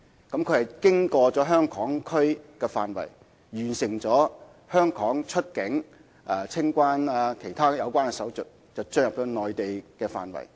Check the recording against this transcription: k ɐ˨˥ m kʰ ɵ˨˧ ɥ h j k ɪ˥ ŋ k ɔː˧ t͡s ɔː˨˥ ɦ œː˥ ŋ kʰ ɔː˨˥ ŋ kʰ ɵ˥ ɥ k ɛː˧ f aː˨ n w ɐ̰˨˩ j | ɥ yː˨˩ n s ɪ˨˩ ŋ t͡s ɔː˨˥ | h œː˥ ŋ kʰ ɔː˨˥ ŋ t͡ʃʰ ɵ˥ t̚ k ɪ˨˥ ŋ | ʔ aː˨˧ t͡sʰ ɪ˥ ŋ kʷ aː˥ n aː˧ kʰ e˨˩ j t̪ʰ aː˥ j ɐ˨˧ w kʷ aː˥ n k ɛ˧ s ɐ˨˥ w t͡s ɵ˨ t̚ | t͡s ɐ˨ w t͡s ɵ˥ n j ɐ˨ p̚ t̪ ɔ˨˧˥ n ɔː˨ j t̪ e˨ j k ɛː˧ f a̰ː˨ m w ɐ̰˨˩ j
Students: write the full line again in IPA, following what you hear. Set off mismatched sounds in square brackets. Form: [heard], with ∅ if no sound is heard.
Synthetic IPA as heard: k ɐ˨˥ m kʰ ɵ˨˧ ɥ h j k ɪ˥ ŋ k ɔː˧ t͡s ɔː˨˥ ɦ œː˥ ŋ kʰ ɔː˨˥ ŋ kʰ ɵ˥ ɥ k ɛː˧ f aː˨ n w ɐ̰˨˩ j | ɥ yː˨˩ n s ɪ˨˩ ŋ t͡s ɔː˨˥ | h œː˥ ŋ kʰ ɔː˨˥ ŋ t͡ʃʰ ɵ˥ t̚ k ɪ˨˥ ŋ | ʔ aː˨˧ t͡sʰ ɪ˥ ŋ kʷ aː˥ n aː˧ kʰ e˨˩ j t̪ʰ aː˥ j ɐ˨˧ w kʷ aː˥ n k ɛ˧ s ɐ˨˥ w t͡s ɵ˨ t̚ | t͡s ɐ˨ w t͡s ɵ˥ n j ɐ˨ p̚ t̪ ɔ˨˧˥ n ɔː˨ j t̪ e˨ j k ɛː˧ f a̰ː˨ [n] w ɐ̰˨˩ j